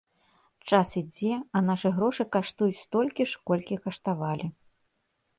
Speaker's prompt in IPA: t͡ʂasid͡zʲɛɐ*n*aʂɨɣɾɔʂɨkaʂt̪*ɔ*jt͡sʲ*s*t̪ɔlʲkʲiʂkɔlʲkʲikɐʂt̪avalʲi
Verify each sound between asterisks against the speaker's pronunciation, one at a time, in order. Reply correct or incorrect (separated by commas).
correct, incorrect, correct